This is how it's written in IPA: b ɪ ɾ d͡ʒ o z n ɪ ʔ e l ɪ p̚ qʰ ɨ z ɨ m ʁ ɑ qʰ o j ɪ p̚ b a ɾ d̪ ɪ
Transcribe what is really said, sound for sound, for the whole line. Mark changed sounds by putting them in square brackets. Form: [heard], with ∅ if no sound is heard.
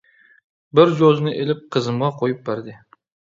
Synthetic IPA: b ɪ ɾ d͡ʒ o z n ɪ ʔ e l ɪ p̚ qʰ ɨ z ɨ m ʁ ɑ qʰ o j ɪ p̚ b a ɾ d̪ ɪ

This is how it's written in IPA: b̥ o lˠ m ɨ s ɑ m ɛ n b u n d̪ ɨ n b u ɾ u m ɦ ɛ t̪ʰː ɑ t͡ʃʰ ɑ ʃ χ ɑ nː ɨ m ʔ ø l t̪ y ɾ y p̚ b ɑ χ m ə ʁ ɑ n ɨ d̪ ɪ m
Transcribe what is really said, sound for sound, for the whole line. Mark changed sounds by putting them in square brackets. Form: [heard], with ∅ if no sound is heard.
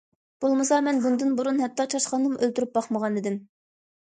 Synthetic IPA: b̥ o lˠ m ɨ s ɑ m ɛ n b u n d̪ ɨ n b u ɾ u [n] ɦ ɛ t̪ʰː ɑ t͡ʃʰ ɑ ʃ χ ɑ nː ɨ m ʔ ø l t̪ y ɾ y p̚ b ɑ χ m ə ʁ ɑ n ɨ d̪ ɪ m

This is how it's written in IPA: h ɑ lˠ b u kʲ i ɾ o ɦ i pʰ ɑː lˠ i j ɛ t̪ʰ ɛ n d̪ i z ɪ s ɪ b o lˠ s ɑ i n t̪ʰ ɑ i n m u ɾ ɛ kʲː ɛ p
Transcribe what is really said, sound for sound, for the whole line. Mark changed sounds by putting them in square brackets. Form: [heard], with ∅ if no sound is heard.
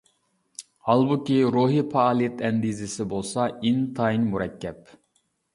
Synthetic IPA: h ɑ lˠ b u kʲ i ɾ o ɦ i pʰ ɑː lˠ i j ɛ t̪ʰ ɛ n d̪ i z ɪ s ɪ b o lˠ s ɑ i n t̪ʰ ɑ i n m u ɾ ɛ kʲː ɛ p

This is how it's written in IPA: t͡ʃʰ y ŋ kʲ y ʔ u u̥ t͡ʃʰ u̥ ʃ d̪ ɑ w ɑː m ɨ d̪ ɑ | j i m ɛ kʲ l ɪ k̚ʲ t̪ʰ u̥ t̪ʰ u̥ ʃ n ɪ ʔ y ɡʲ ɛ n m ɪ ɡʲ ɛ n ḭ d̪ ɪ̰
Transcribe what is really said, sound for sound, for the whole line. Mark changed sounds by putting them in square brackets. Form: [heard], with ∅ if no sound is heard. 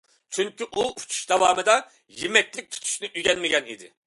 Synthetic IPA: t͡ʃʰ y ŋ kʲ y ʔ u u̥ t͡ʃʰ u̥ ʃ d̪ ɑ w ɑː m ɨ d̪ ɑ | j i m ɛ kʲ l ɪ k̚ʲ t̪ʰ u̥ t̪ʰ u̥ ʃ n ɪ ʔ y ɡʲ ɛ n m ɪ ɡʲ ɛ n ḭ d̪ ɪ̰

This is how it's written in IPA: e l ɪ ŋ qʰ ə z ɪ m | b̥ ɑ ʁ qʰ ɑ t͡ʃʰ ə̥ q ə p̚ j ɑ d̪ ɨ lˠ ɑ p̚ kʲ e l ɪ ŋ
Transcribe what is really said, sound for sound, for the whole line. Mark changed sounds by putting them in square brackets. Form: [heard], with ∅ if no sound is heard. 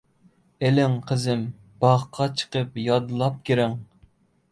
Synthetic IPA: e l ɪ ŋ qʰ ə z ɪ m | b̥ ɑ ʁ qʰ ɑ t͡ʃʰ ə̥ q ə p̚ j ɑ d̪ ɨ lˠ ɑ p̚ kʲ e [ɾ] ɪ ŋ

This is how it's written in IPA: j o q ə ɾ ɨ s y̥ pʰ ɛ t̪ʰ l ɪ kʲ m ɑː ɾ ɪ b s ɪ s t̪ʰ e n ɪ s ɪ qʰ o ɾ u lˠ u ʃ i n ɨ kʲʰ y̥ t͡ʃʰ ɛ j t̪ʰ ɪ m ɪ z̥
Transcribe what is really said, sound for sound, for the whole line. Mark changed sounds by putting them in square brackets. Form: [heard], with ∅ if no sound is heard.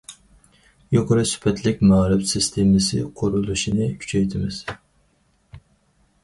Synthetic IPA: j o q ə ɾ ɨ s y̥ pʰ ɛ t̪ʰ l ɪ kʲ m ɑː ɾ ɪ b s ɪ s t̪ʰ e [m] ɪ s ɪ qʰ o ɾ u lˠ u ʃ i n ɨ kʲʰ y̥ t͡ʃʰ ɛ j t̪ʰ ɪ m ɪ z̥

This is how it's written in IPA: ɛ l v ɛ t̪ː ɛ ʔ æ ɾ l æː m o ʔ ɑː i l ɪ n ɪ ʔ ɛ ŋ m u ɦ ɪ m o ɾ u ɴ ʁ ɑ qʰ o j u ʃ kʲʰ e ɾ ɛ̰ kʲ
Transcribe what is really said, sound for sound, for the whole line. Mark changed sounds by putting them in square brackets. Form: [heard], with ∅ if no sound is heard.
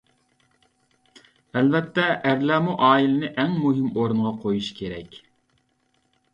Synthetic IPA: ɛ l v ɛ t̪ː ɛ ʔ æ ɾ l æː m [u] ʔ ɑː i l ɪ n ɪ ʔ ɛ ŋ m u ɦ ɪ m o ɾ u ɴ ʁ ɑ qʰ o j u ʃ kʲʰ e ɾ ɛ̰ kʲ

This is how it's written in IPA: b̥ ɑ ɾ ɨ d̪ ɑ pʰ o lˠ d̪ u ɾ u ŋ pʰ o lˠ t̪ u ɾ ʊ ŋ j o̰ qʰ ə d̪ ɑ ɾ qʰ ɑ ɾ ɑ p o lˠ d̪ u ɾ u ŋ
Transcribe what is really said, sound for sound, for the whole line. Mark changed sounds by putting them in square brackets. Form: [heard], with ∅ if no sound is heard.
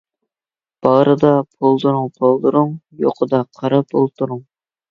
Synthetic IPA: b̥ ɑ ɾ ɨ d̪ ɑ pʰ o lˠ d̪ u ɾ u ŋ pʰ o lˠ [d̪] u ɾ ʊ ŋ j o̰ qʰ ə d̪ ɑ [∅] qʰ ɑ ɾ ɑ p o lˠ [t̪] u ɾ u ŋ

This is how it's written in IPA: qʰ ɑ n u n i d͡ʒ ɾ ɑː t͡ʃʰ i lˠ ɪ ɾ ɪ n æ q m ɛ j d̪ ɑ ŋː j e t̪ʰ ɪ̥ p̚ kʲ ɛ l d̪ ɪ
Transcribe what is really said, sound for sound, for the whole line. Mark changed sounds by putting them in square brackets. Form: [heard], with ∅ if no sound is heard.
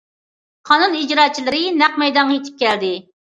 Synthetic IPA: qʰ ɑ n u n i d͡ʒ ɾ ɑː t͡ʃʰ i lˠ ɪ ɾ ɪ n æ q m ɛ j d̪ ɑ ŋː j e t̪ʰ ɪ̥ p̚ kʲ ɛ l d̪ ɪ

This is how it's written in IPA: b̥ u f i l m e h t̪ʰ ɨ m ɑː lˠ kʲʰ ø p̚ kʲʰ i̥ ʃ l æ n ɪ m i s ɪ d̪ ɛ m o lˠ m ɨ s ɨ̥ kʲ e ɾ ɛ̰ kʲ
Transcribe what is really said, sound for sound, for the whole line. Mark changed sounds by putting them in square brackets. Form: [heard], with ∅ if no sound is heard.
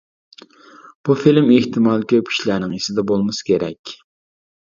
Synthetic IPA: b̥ u f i l m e h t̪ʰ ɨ m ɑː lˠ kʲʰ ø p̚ kʲʰ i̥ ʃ l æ n ɪ [ŋ] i s ɪ d̪ ɛ [b] o lˠ m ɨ s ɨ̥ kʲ e ɾ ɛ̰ kʲ

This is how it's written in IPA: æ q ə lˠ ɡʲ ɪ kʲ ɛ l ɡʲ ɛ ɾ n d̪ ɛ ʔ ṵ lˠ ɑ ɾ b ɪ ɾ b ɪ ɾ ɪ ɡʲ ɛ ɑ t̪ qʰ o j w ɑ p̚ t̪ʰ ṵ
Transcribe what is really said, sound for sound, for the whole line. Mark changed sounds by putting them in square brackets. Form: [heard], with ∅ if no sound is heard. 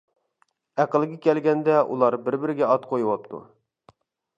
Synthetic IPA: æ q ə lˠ ɡʲ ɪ kʲ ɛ l ɡʲ ɛ [∅] n d̪ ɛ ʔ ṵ lˠ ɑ ɾ b ɪ ɾ b ɪ ɾ ɪ ɡʲ ɛ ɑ t̪ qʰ o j w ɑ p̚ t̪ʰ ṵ

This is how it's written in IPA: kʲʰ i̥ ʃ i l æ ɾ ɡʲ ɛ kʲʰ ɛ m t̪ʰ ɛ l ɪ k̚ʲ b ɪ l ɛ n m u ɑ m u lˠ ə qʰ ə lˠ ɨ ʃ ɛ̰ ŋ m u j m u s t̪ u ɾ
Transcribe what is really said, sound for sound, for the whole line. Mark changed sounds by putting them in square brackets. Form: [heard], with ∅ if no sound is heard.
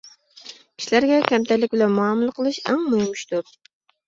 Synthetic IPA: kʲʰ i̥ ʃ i l æ ɾ ɡʲ ɛ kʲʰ ɛ m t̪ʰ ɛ l ɪ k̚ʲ b ɪ l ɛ n m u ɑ m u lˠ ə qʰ ə lˠ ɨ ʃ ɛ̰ ŋ m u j m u [ʃ] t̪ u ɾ

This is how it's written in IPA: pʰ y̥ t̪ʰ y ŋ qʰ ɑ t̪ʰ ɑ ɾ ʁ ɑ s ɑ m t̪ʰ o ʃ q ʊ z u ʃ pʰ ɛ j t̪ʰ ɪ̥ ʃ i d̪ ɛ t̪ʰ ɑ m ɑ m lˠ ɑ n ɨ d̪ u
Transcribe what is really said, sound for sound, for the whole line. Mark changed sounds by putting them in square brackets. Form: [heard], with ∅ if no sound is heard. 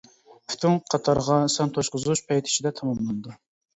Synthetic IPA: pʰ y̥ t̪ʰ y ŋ qʰ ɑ t̪ʰ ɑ ɾ ʁ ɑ s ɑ [n] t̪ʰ o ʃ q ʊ z u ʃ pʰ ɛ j t̪ʰ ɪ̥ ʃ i d̪ ɛ t̪ʰ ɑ m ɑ m lˠ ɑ n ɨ d̪ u

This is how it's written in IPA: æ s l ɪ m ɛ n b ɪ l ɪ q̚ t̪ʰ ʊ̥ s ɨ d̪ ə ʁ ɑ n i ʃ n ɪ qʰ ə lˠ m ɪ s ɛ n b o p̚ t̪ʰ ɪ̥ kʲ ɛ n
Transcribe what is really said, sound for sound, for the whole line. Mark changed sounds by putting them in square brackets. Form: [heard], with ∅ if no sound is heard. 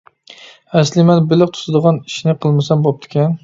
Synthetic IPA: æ s l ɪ m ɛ n b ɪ l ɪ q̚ t̪ʰ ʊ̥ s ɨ d̪ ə ʁ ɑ n i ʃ n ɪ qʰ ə lˠ m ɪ s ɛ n b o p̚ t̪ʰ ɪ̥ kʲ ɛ n

